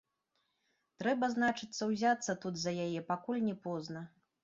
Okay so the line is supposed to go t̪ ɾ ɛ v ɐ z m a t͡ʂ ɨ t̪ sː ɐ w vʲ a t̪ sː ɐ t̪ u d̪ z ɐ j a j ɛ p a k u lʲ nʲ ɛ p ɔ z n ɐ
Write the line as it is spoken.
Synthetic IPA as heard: t̪ ɾ ɛ b ɐ z n a t͡ʂ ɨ t̪ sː ɐ w zʲ a t̪ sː ɐ t̪ u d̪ z ɐ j a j ɛ p a k u lʲ nʲ ɛ p ɔ z n ɐ